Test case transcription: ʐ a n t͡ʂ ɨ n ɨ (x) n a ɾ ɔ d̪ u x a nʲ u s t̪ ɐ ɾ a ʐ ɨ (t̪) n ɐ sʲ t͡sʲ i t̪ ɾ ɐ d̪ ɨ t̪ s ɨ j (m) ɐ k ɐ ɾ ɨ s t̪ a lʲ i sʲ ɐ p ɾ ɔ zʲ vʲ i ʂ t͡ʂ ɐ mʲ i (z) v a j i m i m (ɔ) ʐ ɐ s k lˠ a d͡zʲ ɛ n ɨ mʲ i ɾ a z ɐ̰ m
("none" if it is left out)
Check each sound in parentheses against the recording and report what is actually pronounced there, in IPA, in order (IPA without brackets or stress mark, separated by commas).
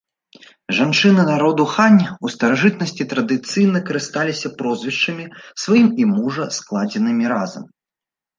none, t̪, n, s, u